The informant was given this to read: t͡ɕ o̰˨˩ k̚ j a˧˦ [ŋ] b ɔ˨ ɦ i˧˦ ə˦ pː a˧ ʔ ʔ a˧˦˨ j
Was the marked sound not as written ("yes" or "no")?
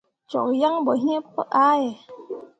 no